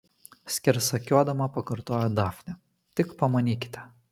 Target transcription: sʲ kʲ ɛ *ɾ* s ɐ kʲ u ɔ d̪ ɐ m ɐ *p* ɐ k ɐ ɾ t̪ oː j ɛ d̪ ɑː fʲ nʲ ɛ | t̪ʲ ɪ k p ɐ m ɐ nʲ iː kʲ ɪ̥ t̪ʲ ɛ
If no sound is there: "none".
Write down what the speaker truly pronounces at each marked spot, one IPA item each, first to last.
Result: ɾ, p

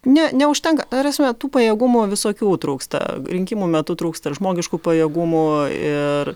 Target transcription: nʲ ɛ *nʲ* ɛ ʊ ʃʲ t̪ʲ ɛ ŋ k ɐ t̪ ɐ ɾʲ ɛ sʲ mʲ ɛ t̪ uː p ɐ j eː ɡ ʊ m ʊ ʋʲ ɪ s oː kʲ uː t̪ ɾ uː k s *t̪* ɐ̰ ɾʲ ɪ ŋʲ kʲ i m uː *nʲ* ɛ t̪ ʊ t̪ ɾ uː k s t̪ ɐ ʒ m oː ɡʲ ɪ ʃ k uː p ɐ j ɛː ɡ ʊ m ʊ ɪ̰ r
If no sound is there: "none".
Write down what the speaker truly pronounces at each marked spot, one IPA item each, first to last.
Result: nʲ, t̪, mʲ

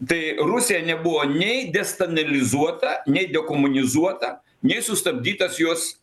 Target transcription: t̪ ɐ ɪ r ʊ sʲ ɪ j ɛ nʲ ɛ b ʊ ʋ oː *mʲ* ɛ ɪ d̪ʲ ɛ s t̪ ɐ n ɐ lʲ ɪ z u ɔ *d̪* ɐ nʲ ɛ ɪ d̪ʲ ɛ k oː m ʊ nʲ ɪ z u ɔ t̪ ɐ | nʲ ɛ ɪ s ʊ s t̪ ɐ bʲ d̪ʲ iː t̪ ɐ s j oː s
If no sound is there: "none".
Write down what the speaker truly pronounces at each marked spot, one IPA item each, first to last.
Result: nʲ, t̪

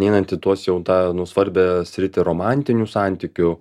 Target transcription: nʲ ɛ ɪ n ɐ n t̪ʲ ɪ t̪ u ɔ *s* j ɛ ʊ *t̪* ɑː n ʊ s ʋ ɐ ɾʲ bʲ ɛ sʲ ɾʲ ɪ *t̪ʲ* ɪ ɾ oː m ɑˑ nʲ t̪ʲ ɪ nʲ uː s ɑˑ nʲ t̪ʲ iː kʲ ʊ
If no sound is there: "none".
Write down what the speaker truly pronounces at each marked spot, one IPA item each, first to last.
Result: s, t̪, t̪ʲ

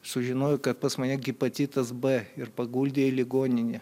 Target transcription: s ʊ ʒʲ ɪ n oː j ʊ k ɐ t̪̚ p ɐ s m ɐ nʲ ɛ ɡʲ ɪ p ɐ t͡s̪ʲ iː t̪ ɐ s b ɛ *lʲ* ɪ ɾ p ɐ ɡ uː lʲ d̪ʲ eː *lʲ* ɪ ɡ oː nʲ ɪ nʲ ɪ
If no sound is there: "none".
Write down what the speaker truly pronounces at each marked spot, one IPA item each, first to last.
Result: none, lʲ

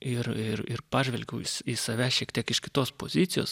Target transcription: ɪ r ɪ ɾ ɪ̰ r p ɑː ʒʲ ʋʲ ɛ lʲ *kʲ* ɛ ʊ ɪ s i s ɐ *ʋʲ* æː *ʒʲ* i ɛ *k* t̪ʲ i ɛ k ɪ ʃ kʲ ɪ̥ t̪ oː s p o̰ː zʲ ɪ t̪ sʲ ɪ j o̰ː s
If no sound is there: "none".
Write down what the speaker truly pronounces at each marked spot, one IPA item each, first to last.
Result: ɡʲ, ʋʲ, ʃʲ, k

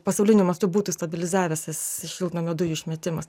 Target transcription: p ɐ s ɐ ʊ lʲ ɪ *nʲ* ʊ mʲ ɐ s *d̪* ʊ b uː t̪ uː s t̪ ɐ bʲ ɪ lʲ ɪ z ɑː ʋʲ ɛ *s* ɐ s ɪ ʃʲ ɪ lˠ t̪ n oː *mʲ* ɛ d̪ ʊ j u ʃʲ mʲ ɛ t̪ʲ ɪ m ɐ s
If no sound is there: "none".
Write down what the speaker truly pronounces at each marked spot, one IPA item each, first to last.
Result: nʲ, t̪, s, mʲ

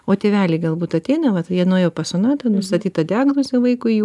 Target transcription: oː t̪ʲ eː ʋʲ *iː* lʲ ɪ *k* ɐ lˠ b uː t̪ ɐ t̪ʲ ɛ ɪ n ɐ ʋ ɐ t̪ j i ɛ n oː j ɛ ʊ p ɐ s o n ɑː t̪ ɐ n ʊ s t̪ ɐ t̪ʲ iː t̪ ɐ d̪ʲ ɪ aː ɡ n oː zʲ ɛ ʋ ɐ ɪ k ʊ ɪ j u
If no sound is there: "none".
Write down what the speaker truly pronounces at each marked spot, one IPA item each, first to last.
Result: æː, ɡ

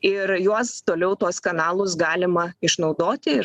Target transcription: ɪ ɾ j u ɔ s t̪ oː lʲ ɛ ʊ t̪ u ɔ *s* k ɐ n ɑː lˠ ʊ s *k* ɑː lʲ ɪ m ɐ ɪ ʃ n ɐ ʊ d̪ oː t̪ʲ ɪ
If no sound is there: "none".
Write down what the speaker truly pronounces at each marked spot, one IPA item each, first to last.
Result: s, ɡ

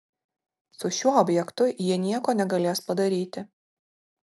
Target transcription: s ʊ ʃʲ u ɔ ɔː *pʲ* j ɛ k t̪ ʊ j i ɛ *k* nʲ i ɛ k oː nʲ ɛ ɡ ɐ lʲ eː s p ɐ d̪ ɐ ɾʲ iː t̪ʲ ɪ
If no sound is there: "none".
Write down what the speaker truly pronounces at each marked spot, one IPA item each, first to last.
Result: bʲ, none

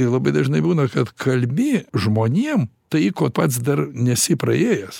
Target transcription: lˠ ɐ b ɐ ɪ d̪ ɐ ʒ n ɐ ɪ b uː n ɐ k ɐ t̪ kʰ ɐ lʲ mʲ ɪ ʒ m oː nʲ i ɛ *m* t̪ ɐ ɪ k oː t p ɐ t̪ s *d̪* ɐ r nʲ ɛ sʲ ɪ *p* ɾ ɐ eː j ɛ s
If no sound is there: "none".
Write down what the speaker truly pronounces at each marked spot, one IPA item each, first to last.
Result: m, d̪, p

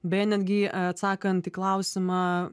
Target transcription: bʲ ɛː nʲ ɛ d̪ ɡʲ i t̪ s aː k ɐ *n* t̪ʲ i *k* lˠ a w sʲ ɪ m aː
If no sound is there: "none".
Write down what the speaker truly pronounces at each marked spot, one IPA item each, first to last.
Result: n, k

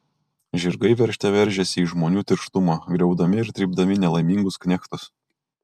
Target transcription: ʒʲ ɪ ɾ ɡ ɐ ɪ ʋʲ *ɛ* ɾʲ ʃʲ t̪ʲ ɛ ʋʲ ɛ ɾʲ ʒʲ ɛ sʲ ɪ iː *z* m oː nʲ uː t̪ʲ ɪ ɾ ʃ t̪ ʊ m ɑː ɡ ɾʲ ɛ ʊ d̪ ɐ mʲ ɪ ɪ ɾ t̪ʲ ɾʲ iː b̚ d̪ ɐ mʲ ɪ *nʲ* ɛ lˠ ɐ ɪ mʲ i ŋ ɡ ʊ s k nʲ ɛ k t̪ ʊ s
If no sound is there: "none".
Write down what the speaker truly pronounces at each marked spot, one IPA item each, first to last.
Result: ɛ, ʒ, nʲ

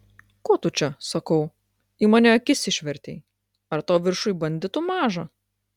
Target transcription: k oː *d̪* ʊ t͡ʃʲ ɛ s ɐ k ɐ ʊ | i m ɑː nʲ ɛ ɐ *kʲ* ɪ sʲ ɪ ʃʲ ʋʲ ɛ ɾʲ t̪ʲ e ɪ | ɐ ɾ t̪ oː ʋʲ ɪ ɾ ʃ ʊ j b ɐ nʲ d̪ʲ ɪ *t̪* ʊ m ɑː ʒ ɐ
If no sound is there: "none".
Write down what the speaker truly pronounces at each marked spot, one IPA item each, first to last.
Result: t̪, kʲ, t̪

